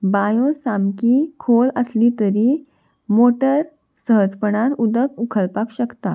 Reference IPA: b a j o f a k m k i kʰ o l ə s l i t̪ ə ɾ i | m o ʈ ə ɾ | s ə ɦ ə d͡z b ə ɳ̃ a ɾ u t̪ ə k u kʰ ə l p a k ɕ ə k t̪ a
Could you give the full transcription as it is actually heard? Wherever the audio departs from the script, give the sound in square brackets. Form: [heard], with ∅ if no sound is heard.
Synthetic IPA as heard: b a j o [s] a [∅] m k i kʰ o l ə s l i t̪ ə ɾ i | m o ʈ ə ɾ | s ə ɦ ə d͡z [p] ə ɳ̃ a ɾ u [d̪] ə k u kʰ ə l p a k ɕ ə k t̪ a